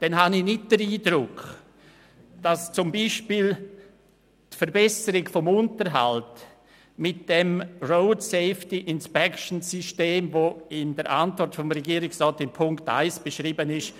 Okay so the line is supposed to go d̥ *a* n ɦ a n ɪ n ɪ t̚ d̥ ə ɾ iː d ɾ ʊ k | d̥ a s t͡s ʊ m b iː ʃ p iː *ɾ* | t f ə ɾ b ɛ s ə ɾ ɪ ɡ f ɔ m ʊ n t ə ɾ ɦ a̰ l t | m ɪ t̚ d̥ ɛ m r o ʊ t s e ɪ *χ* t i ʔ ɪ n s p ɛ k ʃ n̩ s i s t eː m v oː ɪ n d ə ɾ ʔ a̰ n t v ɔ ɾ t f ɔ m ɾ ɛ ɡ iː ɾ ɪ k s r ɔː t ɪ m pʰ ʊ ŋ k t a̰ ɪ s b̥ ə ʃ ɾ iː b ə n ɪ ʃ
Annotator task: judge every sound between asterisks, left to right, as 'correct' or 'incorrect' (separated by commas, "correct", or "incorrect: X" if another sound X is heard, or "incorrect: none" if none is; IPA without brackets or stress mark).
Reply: incorrect: ɛ, incorrect: l, incorrect: f